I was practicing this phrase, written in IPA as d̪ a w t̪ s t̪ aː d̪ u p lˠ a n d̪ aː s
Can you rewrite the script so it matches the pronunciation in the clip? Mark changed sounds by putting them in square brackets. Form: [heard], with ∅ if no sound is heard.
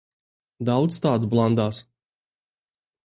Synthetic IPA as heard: d̪ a w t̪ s t̪ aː d̪ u [b] lˠ a n d̪ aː s